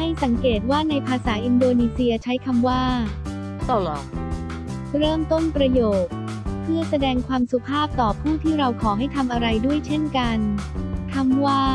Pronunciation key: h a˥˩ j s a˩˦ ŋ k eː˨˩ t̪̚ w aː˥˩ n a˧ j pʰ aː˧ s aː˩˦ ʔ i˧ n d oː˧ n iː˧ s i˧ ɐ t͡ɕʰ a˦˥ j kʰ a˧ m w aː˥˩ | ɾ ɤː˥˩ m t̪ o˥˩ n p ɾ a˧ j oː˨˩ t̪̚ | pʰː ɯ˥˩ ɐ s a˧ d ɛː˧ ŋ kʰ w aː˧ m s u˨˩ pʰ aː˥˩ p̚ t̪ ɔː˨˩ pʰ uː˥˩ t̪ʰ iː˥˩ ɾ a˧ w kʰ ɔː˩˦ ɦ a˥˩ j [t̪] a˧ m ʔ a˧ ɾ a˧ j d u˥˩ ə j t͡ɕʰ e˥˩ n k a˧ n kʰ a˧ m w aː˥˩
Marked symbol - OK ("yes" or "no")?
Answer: no